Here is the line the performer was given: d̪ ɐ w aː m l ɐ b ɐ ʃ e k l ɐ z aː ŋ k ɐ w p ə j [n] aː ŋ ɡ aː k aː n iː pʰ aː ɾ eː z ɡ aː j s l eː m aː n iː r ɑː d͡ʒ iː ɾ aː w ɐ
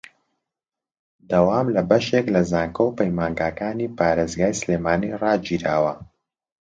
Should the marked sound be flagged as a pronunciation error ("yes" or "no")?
yes